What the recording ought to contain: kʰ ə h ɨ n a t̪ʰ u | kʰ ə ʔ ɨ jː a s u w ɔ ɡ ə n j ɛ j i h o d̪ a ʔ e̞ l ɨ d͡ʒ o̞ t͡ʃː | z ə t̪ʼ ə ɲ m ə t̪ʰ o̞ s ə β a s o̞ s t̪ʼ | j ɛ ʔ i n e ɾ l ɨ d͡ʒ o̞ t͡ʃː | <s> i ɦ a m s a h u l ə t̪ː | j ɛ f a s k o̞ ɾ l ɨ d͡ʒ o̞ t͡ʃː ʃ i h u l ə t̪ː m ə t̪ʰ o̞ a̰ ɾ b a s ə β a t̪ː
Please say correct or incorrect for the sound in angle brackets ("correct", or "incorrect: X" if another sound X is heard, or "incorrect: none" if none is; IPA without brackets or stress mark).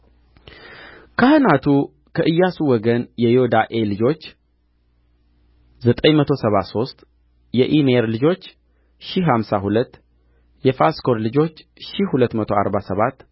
incorrect: ʃ